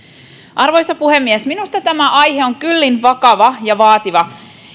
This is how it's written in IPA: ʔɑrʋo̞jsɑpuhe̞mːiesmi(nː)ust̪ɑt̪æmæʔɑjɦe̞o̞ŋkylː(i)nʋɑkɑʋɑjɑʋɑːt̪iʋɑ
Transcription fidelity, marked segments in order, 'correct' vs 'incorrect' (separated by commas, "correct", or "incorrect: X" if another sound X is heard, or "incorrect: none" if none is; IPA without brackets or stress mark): incorrect: n, correct